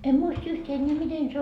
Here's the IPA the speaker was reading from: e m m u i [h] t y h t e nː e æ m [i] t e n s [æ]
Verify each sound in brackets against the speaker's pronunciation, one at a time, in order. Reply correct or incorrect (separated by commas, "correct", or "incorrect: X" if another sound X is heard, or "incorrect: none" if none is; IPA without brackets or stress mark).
incorrect: s, correct, incorrect: e